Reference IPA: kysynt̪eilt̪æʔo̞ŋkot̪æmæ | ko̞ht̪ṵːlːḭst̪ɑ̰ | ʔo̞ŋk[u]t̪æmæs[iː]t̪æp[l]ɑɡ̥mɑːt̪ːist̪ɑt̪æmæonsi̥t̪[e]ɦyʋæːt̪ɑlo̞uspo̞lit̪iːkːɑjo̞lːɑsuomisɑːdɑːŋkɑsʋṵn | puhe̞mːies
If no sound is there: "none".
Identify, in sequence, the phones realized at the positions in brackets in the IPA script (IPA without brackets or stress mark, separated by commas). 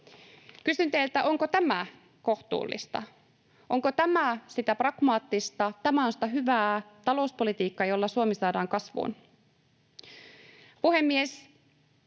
o, i, r, æ